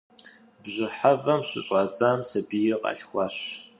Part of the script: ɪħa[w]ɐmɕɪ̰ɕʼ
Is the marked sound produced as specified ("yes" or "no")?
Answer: no